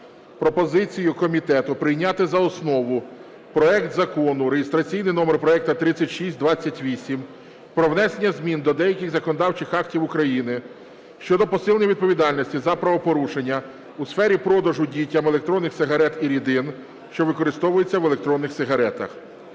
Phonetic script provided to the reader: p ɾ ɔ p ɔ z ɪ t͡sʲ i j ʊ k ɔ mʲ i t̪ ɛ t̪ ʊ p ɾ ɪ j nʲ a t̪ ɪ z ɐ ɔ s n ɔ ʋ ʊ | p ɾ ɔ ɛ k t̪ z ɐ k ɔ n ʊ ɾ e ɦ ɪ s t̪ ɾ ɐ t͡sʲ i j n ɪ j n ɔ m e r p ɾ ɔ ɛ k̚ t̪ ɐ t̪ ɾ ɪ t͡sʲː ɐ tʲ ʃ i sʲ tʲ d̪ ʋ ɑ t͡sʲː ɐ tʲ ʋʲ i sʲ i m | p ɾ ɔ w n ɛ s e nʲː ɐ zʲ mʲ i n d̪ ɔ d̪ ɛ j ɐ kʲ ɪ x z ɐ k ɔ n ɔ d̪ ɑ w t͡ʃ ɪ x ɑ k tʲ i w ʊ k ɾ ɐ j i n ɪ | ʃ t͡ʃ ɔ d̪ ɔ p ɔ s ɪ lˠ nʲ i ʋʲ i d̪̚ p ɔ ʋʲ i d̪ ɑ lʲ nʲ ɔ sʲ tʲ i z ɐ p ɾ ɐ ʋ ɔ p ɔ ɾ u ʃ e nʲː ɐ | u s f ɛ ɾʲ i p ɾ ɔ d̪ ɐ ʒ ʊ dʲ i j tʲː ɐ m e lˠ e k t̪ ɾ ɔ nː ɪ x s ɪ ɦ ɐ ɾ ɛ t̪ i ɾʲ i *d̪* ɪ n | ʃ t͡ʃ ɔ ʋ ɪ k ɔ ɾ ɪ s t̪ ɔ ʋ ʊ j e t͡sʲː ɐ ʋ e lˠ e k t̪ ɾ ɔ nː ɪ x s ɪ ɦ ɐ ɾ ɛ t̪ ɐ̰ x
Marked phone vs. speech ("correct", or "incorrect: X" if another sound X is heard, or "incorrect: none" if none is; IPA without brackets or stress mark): correct